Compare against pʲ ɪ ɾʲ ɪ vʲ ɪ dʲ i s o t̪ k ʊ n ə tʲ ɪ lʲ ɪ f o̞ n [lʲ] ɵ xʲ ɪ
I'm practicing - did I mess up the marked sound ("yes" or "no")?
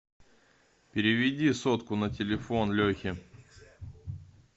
no